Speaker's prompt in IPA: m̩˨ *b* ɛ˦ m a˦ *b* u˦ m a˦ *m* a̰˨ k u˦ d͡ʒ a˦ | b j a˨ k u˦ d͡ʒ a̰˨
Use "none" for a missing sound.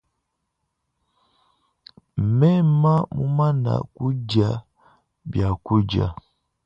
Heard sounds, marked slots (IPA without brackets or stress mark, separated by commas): m, m, n